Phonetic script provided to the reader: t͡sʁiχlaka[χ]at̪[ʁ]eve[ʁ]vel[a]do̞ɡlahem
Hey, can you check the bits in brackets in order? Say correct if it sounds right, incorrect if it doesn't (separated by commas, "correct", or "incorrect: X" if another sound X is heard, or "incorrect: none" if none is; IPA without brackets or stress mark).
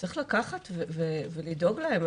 correct, incorrect: v, incorrect: none, incorrect: i